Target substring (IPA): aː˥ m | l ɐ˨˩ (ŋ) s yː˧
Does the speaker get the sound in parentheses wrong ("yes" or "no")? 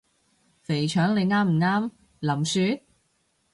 yes